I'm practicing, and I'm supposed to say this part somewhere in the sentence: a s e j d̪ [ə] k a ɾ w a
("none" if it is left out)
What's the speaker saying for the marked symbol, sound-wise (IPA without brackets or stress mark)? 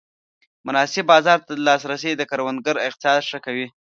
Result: ə